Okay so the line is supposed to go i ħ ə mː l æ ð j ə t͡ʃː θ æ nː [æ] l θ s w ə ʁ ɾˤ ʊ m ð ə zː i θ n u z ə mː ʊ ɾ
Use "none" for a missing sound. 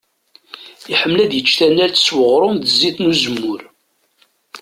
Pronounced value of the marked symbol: æ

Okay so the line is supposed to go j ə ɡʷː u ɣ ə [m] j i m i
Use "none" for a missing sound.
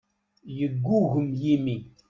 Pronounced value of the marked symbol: m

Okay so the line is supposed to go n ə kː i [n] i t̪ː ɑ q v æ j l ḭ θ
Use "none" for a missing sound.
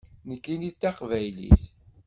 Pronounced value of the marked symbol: n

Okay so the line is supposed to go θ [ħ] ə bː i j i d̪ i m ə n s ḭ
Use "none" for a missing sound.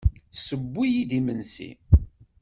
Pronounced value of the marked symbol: s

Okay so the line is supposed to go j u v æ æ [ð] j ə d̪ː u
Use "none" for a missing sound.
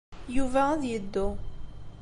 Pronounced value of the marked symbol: ð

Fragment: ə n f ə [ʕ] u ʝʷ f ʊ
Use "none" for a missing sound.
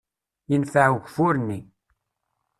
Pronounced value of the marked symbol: ʕ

